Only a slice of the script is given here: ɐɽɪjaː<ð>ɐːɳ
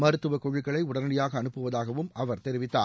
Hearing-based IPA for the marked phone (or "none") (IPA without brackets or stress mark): ɣ